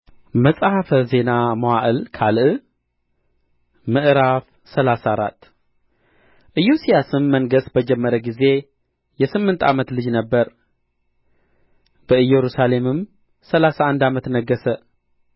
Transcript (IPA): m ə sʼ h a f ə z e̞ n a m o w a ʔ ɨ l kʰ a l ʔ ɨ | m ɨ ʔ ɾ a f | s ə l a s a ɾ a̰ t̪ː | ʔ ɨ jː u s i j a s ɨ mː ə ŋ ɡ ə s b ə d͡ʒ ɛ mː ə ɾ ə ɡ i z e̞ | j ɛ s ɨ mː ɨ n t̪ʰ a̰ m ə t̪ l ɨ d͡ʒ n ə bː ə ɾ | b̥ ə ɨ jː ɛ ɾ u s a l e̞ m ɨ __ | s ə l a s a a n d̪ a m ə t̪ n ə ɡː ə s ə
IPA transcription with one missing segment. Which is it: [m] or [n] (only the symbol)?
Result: m